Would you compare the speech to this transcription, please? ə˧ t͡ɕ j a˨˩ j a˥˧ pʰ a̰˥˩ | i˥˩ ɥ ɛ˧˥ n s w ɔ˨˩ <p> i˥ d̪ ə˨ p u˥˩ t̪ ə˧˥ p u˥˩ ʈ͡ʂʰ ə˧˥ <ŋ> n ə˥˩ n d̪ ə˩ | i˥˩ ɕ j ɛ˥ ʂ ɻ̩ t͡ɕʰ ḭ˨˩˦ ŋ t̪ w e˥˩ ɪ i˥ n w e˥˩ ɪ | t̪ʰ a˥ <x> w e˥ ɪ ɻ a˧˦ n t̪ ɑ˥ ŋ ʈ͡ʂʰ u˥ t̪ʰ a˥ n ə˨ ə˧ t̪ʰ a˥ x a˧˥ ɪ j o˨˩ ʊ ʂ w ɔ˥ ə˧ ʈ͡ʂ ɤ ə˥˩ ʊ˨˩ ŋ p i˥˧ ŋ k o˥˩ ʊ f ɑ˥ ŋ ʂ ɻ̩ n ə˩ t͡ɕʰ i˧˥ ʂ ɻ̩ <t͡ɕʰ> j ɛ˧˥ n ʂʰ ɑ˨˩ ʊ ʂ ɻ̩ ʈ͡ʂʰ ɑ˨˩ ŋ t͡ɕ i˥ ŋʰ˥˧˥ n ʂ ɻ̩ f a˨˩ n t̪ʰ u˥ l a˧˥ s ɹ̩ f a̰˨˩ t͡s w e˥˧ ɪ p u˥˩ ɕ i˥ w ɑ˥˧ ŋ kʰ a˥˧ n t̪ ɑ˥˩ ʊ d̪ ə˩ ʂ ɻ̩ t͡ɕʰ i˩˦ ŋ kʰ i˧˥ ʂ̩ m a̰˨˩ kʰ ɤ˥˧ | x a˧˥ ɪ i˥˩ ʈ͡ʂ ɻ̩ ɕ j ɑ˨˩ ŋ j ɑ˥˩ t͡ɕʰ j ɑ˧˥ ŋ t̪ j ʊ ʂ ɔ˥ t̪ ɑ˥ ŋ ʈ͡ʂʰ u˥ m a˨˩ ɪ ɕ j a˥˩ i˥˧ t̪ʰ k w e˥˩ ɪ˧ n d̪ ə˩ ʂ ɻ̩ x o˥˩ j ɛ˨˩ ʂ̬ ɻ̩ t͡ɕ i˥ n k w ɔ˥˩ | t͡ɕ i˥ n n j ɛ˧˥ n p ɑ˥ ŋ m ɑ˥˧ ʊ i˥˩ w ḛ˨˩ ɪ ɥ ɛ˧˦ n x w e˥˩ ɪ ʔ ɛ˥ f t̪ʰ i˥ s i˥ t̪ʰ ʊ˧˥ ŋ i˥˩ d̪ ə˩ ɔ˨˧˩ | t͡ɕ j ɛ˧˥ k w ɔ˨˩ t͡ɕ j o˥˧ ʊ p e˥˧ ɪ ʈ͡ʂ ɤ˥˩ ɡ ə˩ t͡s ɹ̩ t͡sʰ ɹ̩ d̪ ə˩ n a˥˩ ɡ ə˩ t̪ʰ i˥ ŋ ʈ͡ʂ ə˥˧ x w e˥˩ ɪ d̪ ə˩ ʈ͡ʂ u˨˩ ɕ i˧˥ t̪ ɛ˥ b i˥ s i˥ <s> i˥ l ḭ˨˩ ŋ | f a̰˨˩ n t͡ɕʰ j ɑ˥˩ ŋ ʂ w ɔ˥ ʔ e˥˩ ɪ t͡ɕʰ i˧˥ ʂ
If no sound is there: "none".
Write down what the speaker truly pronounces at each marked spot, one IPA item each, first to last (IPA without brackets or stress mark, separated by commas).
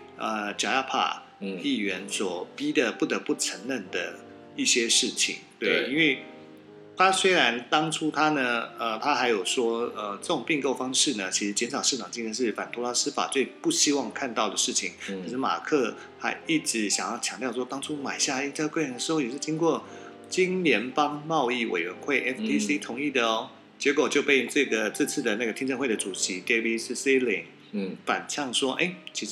p, ŋ, s, t͡ɕ, s